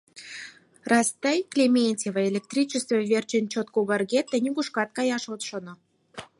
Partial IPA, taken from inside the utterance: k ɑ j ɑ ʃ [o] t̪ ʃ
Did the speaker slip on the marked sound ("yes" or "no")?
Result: no